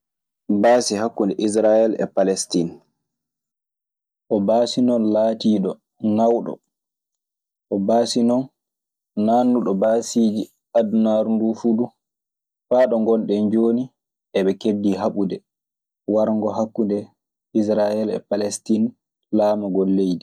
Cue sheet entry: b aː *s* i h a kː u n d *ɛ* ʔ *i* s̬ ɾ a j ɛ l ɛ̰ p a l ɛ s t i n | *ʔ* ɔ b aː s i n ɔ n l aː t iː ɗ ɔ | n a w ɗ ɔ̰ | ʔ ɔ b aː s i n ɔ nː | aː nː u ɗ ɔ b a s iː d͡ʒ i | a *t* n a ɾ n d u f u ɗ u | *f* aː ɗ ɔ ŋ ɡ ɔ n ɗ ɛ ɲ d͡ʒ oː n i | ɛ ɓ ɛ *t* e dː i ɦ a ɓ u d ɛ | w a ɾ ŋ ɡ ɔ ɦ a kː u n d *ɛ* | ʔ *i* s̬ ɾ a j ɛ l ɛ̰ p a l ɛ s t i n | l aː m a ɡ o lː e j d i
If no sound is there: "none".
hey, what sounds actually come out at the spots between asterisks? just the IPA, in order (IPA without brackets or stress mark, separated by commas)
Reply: s, ɛ, i, ʔ, d, f, k, ɛ, i